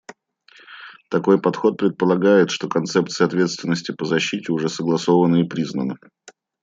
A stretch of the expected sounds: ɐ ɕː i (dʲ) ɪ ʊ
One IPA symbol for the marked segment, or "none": tʲ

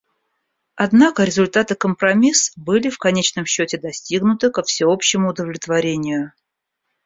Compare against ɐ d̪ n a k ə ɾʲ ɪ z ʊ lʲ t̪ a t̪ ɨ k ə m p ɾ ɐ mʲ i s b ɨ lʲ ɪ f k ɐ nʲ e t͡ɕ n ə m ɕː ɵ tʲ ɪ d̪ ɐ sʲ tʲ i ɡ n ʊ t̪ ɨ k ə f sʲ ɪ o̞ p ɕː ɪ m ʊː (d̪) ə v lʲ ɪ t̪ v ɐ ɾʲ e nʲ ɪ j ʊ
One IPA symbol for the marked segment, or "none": d̪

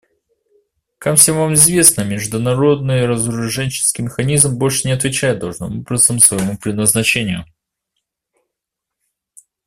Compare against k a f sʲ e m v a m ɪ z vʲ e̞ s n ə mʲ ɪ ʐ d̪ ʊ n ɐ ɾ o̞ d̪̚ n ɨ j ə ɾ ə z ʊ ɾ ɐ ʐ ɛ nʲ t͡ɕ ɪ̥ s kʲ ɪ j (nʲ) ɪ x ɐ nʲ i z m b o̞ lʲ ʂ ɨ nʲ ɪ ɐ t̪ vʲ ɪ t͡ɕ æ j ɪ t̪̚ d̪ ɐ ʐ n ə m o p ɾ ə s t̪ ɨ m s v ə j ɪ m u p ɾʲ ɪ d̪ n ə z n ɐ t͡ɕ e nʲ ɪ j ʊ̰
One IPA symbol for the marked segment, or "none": mʲ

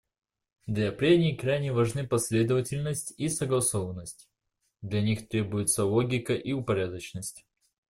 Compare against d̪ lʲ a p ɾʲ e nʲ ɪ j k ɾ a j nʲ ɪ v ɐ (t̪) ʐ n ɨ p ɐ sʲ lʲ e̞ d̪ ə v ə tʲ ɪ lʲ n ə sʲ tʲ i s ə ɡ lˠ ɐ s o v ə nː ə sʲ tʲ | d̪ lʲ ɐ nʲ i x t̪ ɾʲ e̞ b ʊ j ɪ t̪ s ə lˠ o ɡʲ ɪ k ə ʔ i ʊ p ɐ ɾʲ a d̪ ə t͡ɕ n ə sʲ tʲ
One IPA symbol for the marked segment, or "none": none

